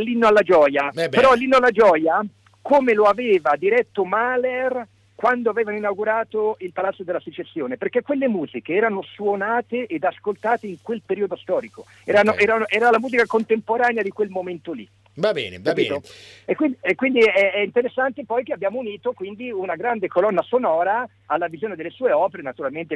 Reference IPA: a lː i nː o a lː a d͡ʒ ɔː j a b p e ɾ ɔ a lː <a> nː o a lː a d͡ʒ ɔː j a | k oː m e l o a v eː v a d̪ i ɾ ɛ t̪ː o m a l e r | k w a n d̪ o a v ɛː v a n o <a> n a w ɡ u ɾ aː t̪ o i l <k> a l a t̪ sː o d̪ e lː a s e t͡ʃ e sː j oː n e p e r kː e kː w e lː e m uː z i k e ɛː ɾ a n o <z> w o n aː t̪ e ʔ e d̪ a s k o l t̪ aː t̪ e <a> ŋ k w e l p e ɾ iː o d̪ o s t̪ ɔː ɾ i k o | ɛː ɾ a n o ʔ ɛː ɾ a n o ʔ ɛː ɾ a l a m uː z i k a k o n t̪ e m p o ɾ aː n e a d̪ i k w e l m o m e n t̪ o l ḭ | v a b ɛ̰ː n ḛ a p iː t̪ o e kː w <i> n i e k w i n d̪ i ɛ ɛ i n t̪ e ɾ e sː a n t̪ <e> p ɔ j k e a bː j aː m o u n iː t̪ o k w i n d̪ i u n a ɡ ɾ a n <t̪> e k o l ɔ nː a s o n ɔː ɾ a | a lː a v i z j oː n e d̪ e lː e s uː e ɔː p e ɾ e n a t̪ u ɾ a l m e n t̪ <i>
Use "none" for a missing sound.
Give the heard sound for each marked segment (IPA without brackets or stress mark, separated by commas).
i, i, p, s, i, i, e, d̪, e